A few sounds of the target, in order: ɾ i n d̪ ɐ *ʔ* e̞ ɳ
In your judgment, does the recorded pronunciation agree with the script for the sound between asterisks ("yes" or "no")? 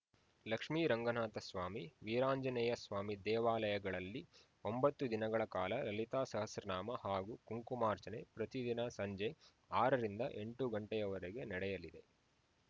yes